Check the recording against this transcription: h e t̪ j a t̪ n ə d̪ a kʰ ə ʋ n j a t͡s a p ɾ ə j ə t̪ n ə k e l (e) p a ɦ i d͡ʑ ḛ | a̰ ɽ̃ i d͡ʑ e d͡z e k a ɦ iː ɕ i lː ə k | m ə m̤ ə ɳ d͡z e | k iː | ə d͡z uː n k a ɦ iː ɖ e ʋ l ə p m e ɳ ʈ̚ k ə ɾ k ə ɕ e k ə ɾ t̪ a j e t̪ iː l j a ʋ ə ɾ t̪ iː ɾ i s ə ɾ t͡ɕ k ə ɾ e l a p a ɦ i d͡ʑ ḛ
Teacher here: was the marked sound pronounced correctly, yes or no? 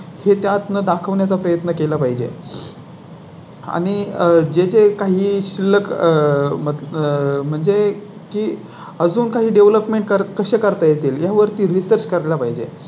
no